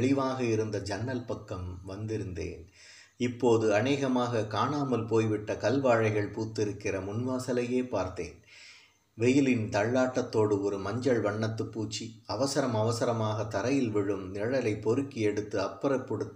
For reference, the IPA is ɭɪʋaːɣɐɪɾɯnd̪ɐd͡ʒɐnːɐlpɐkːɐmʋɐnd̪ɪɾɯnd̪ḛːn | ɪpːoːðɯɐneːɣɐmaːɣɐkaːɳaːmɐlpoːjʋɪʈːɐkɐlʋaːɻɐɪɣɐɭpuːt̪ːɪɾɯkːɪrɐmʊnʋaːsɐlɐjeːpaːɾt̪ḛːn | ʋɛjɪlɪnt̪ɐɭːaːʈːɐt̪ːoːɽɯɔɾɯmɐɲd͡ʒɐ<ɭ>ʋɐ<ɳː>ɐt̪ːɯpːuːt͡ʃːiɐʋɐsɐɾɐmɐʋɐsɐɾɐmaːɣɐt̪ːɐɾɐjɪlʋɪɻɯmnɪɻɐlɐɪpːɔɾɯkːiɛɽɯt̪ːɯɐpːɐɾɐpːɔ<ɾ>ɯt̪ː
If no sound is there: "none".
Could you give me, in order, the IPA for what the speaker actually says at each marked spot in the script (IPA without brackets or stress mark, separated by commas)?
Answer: ɭ, ɳː, ɽ